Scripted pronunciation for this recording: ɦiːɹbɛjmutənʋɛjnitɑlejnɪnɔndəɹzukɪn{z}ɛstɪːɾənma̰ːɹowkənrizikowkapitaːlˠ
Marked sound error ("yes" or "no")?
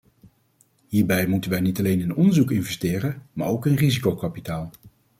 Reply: yes